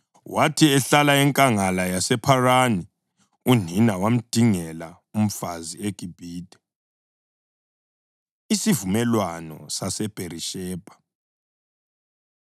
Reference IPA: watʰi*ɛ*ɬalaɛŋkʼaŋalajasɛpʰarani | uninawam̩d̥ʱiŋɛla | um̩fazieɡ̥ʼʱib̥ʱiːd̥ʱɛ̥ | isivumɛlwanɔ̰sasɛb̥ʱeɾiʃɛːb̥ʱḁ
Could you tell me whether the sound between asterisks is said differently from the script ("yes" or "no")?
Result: no